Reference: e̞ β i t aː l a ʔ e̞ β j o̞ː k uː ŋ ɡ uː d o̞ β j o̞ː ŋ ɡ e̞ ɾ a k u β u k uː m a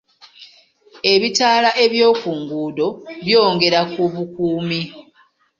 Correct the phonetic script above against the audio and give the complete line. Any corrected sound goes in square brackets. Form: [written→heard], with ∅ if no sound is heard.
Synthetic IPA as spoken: e̞ β i t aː l a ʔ e̞ β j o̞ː k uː ŋ ɡ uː d o̞ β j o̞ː ŋ ɡ e̞ ɾ a k u β u k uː m [a→i]